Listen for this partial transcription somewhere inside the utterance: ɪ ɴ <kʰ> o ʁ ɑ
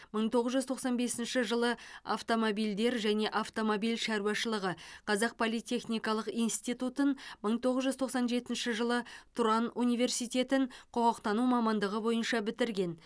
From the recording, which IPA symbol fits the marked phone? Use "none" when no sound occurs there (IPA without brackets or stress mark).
qʰ